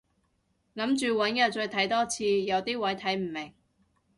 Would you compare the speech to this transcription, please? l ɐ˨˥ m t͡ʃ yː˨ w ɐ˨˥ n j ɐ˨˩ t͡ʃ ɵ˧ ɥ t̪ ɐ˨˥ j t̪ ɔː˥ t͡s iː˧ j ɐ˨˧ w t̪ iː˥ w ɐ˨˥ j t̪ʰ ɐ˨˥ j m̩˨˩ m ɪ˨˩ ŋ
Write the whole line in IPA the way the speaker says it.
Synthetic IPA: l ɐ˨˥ m t͡ʃ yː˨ w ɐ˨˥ n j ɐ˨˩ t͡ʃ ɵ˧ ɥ t̪ʰ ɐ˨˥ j t̪ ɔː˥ t͡sʰ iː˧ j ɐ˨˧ w t̪ iː˥ w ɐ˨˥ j t̪ʰ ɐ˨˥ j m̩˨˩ m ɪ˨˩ ŋ